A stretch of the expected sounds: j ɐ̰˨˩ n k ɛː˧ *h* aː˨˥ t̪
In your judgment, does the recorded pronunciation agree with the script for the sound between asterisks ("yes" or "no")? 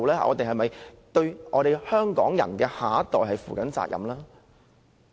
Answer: yes